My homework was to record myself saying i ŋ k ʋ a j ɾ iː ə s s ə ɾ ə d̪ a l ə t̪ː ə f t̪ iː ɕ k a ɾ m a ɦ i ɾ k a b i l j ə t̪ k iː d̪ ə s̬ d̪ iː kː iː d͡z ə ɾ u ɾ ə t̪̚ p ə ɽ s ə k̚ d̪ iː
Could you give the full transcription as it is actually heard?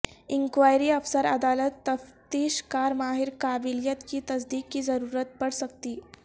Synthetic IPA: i ŋ k ʋ a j ɾ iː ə f s ə ɾ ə d̪ a l ə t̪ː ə f t̪ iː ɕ k a ɾ m a ɦ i ɾ k a b i l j ə t̪ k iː t̪ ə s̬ d̪ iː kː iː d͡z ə ɾ u ɾ ə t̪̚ p ə ɽ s ə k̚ t̪ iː